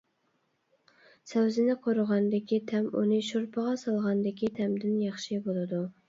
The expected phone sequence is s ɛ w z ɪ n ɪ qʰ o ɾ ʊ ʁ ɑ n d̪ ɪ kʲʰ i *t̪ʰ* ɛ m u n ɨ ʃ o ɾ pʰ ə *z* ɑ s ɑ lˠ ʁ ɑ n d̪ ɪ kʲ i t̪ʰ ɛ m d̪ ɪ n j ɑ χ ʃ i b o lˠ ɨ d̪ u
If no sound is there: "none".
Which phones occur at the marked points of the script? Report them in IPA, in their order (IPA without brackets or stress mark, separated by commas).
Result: t̪ʰ, ʁ